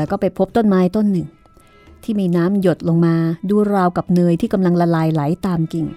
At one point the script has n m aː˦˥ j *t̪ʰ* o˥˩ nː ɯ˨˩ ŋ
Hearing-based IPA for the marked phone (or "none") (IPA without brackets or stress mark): t̪